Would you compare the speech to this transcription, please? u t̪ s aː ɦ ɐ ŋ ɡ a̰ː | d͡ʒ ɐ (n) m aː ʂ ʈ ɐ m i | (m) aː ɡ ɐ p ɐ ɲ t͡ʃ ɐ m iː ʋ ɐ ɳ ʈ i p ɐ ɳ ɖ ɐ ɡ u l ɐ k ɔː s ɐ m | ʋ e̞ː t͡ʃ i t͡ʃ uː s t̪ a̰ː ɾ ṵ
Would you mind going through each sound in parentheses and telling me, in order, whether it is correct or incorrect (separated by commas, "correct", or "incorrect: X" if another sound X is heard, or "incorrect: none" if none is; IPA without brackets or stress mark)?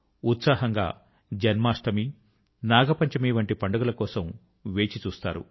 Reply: correct, incorrect: n